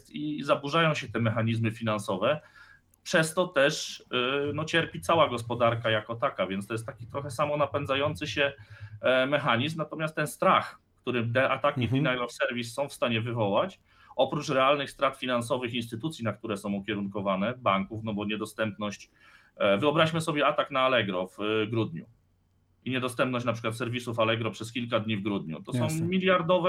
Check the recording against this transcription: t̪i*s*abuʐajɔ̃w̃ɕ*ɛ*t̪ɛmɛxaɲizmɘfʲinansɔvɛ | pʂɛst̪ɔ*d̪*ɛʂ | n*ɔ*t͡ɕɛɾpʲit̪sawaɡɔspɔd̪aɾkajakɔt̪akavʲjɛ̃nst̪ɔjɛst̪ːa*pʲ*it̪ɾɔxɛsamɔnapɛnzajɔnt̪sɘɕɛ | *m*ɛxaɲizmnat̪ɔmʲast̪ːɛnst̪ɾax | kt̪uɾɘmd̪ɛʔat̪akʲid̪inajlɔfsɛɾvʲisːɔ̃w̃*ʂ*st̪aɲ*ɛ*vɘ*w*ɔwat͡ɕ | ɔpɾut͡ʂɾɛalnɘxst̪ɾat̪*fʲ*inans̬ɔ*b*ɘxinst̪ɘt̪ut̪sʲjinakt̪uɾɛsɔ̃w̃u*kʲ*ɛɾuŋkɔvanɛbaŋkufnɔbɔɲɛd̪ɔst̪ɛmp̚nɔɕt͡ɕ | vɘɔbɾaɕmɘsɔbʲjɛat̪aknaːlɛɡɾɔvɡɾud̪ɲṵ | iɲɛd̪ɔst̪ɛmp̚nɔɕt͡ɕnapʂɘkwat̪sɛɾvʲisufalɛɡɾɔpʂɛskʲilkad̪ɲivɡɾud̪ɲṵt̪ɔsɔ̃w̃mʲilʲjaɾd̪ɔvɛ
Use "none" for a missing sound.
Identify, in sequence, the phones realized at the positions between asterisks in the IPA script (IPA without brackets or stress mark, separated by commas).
z, ɛ, t̪, ɔ, kʲ, m, f, ɛ, v, fʲ, v, kʲ